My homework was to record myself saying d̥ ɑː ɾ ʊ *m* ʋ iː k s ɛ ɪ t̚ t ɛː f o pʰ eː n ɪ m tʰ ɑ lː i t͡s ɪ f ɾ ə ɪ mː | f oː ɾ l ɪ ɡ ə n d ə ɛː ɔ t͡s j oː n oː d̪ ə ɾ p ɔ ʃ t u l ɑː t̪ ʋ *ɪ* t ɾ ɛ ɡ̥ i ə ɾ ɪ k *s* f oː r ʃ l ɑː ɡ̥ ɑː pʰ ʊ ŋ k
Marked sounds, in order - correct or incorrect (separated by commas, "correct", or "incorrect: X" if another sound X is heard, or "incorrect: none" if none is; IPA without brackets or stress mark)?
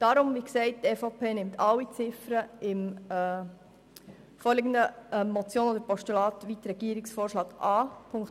correct, incorrect: i, correct